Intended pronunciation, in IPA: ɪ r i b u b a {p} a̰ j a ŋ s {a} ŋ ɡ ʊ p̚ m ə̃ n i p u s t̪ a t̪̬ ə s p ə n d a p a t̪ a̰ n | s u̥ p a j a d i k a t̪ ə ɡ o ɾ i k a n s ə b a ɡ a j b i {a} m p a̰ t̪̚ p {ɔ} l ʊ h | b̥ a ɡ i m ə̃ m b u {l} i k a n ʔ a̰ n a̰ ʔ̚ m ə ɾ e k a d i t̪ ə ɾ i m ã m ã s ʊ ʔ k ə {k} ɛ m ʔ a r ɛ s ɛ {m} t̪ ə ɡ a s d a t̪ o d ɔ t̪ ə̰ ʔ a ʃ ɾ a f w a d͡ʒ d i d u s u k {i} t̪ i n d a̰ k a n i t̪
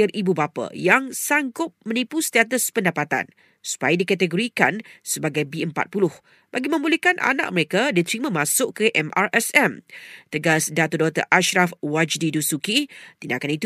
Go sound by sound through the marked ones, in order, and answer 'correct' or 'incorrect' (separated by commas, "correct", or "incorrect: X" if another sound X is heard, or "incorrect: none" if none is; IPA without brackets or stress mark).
correct, correct, incorrect: ə, incorrect: u, correct, incorrect: ʔ, correct, correct